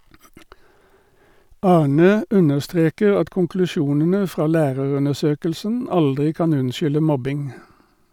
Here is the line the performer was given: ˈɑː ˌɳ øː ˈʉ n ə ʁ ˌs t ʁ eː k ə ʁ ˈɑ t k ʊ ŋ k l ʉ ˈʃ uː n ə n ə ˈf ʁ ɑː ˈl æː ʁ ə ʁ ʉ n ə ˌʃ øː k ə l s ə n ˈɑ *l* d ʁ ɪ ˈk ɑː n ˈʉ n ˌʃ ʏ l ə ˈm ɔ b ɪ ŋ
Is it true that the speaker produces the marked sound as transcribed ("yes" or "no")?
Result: yes